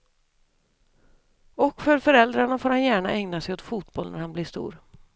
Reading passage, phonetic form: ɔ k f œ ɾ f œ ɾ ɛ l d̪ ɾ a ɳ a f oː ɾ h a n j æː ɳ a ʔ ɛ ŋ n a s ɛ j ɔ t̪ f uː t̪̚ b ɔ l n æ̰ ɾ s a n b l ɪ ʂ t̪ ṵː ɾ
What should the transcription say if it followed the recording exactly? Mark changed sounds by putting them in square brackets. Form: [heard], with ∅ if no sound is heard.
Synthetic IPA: ɔ k f œ ɾ f œ ɾ ɛ l d̪ ɾ a ɳ a f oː ɾ h a n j æː ɳ a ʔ ɛ ŋ n a s ɛ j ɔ t̪ f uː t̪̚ b ɔ l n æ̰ ɾ [h] a n b l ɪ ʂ t̪ ṵː ɾ